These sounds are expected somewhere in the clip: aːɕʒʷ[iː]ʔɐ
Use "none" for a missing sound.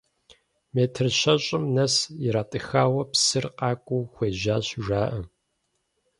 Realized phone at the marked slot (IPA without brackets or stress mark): aː